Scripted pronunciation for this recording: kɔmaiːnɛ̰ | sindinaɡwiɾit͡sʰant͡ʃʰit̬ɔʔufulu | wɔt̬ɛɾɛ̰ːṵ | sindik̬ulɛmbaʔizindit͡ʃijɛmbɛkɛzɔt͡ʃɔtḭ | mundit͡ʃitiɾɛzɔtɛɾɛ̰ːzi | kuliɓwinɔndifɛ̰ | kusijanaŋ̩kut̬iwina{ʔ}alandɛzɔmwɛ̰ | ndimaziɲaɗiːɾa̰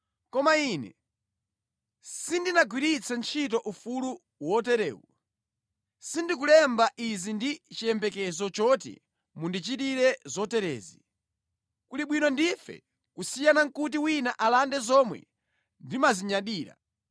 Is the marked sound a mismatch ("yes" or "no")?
no